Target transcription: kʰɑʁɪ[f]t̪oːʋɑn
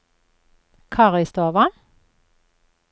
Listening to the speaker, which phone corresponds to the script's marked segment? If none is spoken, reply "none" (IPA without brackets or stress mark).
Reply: s